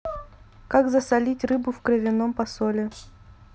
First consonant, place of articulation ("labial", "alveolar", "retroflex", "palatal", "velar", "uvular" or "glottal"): velar